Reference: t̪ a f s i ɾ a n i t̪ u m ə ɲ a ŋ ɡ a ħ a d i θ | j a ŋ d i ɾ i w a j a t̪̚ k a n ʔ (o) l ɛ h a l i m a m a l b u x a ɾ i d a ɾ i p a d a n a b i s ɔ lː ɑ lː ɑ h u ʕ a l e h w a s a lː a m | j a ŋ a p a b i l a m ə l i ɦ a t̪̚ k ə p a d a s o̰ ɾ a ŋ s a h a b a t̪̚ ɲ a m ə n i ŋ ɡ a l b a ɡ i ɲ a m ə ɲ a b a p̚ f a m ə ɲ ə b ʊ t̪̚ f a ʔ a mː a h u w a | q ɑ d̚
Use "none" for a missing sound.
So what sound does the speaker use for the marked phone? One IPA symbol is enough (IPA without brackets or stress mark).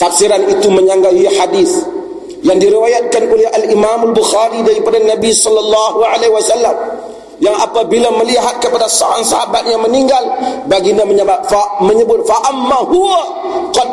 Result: o